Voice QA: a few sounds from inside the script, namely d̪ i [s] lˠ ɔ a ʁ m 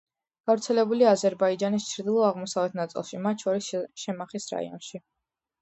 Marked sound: incorrect: none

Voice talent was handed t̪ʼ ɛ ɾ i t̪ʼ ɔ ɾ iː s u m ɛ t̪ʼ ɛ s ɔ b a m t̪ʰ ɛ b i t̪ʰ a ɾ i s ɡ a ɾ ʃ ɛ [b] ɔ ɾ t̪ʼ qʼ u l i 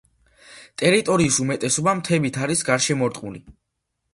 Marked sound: incorrect: m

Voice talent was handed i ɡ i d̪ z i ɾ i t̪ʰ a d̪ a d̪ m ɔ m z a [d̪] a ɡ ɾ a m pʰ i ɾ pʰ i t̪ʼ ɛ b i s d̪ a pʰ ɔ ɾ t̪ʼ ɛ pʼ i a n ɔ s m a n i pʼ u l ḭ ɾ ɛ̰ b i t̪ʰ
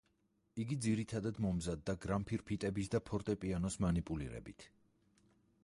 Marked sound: incorrect: d̪ː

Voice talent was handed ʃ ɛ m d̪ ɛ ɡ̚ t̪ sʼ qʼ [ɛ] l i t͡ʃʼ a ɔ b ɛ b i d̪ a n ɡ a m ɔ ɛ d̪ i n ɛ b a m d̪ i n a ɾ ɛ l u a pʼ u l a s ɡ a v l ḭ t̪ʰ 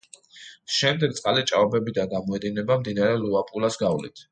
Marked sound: incorrect: a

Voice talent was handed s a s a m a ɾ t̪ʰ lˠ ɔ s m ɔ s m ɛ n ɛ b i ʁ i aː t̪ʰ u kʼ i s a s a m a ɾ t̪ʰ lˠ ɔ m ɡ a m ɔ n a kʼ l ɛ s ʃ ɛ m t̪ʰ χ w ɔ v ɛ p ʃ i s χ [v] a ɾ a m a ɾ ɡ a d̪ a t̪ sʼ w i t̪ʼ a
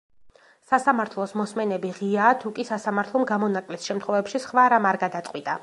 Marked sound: correct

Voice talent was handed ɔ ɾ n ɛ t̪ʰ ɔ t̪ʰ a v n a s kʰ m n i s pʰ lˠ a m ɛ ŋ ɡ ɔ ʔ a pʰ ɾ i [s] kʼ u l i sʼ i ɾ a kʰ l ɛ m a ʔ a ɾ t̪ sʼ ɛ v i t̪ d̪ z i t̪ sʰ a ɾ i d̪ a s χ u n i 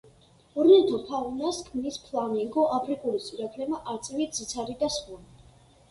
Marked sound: incorrect: none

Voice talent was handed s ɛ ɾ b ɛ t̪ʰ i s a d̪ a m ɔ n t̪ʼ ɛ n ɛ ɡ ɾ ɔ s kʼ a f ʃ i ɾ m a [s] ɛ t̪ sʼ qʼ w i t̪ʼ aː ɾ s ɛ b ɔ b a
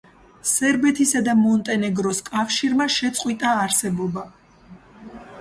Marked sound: incorrect: ʃ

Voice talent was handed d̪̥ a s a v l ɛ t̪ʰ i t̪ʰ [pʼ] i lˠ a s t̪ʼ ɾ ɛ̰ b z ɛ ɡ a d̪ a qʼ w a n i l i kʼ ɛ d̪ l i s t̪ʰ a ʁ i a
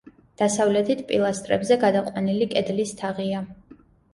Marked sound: correct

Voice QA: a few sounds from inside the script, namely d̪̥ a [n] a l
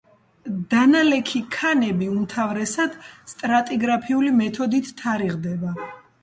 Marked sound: correct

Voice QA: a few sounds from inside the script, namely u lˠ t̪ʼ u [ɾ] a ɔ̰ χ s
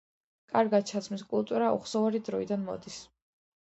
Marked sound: correct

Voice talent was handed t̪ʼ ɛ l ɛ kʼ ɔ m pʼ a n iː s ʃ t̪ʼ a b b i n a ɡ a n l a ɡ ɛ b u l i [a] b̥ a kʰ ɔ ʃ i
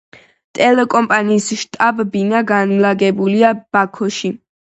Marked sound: correct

